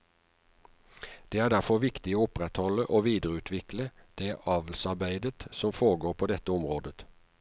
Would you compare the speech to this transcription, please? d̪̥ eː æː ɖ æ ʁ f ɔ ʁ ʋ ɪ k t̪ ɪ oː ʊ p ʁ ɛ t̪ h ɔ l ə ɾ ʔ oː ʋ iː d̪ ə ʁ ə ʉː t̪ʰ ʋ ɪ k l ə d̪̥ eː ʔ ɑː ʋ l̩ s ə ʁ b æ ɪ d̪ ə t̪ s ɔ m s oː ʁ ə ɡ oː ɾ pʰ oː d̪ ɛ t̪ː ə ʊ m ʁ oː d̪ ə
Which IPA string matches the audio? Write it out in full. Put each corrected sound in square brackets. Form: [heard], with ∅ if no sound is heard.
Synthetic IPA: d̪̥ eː æː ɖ æ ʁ f ɔ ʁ ʋ ɪ k t̪ ɪ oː ʊ p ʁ ɛ t̪ h ɔ l ə [∅] ʔ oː ʋ iː d̪ ə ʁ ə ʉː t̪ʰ ʋ ɪ k l ə d̪̥ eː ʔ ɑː ʋ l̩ s [ɑ] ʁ b æ ɪ d̪ ə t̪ s ɔ m [f] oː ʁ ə ɡ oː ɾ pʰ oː d̪ ɛ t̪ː ə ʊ m ʁ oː d̪ ə